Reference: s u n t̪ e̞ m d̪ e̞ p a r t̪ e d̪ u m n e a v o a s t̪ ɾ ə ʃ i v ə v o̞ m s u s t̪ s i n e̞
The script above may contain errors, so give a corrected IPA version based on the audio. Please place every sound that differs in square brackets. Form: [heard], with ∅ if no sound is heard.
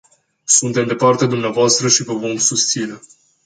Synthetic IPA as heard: s u n t̪ e̞ m d̪ e̞ p a r t̪ e d̪ u m n e a v o a s t̪ ɾ ə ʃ i v ə v o̞ m s u s t̪ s i n e̞